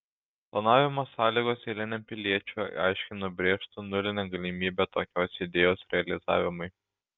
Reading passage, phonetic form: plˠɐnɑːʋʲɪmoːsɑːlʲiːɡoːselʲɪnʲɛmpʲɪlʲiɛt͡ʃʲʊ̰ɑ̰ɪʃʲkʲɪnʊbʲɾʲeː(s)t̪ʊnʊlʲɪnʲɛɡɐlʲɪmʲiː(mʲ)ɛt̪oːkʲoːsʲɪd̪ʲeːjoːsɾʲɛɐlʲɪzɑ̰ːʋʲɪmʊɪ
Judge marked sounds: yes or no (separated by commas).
no, no